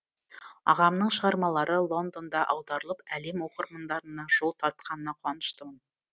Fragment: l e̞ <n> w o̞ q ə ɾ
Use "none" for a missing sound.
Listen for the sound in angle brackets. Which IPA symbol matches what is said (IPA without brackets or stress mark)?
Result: m